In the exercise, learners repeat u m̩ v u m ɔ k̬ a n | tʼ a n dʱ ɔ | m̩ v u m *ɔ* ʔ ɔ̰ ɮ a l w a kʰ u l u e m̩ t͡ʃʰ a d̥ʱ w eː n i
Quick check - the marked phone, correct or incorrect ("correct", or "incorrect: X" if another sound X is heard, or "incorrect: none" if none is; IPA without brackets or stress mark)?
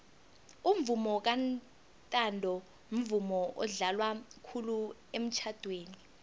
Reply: correct